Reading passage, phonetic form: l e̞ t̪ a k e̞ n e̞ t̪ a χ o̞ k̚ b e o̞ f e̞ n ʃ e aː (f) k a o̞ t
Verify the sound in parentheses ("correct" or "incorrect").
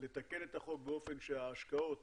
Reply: incorrect